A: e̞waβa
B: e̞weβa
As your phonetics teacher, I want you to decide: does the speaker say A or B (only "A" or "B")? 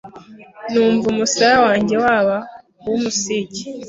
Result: A